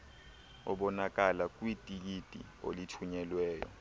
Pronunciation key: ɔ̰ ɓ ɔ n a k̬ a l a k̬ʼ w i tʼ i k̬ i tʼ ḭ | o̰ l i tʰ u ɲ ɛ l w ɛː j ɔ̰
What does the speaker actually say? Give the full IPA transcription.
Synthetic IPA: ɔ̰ ɓ ɔ n a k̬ a l a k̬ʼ w i tʼ i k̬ i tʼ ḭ | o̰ l i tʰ u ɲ ɛ l w ɛː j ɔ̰

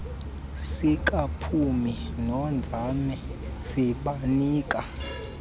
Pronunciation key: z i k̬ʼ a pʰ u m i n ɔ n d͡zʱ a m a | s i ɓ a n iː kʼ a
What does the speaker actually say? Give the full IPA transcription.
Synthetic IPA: s i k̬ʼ a pʰ u m i n ɔ n d͡zʱ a m ɛ | s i ɓ a n iː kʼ a

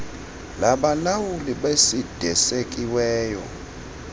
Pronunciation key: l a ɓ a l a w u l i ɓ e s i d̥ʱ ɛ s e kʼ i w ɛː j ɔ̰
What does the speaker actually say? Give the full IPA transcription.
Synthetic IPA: l a ɓ a l a w u l i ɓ e s i d̥ʱ ɛ s e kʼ i w ɛː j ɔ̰

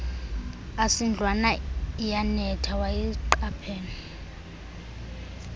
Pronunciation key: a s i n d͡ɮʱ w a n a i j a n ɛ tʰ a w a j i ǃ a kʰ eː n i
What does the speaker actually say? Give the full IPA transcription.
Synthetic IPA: a s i n d͡ɮʱ w a n a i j a n ɛ tʰ a w a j i ǃ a pʰ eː n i

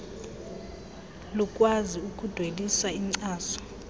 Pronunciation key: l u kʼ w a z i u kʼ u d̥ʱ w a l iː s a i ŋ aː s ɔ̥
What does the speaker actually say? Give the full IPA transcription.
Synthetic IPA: l u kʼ w a z i u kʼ u d̥ʱ w e l i s a i ŋ͡ǀ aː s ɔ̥

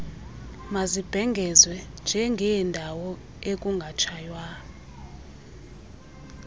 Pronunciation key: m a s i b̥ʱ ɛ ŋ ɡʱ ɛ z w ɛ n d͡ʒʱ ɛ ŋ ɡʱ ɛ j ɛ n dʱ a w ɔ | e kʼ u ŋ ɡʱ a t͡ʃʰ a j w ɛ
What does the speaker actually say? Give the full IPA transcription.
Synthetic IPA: m a z i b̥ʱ ɛ ŋ ɡʱ ɛ z w ɛ n d͡ʒʱ ɛ ŋ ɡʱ ɛ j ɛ n dʱ a w ɔ | e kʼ u ŋ ɡʱ a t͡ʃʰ a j w a

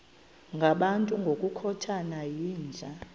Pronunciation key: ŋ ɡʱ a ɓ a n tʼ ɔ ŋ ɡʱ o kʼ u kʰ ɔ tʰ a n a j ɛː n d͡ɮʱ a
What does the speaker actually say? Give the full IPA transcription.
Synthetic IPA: ŋ ɡʱ a ɓ a n tʼ u ŋ ɡʱ o kʼ u kʰ ɔ tʰ a n a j iː n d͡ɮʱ a

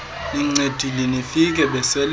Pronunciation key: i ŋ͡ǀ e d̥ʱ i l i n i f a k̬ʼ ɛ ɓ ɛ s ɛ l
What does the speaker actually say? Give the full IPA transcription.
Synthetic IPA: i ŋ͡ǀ e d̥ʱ i l i n i f i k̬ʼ ɛ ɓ ɛ s ɛ l

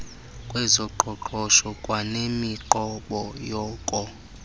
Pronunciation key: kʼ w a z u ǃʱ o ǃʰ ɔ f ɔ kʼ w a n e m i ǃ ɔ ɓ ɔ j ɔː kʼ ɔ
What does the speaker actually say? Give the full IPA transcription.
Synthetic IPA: kʼ w ɛ z ɔ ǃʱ ɔ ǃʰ ɔ ʃ ɔ kʼ w a n e m i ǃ ɔ ɓ ɔ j ɔː kʼ ɔ

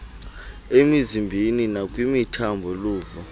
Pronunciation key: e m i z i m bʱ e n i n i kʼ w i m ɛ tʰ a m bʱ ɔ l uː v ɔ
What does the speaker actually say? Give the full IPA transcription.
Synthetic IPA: e m i z i m bʱ i n i n a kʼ w i m i tʰ a m bʱ ɔ l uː v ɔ

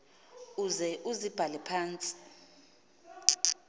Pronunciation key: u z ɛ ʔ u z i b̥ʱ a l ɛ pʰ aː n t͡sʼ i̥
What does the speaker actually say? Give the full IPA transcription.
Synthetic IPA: u z ɛ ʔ u z i b̥ʱ a l ɛ pʰ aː n t͡sʼ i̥

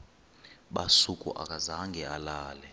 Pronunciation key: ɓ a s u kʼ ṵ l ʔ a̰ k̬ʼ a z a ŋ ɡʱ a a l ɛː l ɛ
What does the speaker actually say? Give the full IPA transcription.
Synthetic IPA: ɓ a s u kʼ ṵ ʔ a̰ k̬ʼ a z a ŋ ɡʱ ɛ a l aː l ɛ

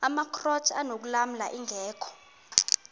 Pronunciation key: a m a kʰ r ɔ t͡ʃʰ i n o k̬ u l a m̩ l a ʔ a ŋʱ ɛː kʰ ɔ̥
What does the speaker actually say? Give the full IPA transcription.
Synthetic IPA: a m a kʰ r ɔ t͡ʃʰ a n o k̬ u l a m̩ l a ʔ i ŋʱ ɛː kʰ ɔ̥

